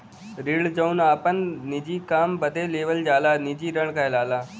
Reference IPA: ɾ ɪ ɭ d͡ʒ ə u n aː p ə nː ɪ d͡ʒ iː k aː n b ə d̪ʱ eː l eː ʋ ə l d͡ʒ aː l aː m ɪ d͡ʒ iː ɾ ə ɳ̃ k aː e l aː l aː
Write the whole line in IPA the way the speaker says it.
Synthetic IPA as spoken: ɾ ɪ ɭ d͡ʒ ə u n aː p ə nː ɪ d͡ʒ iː k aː m b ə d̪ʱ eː l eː ʋ ə l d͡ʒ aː l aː n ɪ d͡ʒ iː ɾ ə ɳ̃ k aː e l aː l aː